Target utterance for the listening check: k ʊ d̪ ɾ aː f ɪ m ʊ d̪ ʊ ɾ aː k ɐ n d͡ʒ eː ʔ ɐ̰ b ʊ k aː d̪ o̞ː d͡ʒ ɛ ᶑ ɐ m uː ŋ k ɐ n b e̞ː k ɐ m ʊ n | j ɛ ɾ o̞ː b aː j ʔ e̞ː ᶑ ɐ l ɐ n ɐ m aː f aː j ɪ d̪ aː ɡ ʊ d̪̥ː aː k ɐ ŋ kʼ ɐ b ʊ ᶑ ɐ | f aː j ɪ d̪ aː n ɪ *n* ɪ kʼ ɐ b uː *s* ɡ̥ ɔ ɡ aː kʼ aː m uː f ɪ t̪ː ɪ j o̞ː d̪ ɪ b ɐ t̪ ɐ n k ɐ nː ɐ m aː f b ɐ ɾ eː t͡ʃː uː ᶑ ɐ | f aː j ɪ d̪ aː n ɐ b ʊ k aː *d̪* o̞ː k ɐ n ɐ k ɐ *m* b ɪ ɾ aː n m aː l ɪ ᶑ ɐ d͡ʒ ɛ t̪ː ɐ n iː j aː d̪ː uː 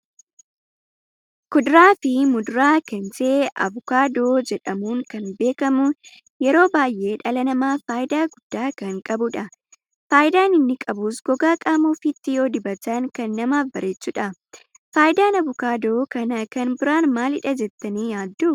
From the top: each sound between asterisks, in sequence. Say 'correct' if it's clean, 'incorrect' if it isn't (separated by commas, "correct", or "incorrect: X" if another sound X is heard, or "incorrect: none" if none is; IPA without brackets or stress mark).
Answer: incorrect: nː, correct, correct, incorrect: n